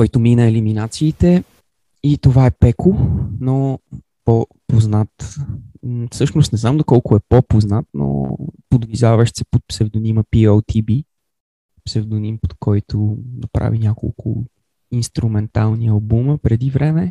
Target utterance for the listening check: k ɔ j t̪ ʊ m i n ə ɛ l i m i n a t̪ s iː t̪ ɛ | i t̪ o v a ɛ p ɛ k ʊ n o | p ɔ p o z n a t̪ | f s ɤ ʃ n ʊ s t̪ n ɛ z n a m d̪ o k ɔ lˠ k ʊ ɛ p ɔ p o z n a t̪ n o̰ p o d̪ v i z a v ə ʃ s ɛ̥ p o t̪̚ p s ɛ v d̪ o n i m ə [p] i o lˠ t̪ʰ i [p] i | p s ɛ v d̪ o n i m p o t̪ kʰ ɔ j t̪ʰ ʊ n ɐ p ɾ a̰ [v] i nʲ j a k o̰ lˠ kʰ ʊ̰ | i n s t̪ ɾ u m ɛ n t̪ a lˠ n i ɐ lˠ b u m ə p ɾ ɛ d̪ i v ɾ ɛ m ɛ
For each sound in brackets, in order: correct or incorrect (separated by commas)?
correct, incorrect, correct